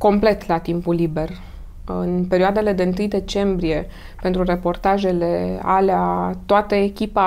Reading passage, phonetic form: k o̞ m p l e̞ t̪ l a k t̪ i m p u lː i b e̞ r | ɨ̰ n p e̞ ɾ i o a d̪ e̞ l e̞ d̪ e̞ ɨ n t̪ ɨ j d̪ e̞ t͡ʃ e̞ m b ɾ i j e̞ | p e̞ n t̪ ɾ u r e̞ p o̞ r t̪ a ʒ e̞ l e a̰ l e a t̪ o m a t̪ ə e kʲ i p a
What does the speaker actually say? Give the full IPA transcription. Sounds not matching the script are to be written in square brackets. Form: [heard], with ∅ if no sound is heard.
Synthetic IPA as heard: k o̞ m p l e̞ t̪ l a [∅] t̪ i m p u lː i b e̞ r | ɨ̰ n p e̞ ɾ i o a d̪ e̞ l e̞ d̪ e̞ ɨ n t̪ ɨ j d̪ e̞ t͡ʃ e̞ m b ɾ i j e̞ | p e̞ n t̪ ɾ u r e̞ p o̞ r t̪ a ʒ e̞ l e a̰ l e a t̪ o [∅] a t̪ ə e kʲ i p a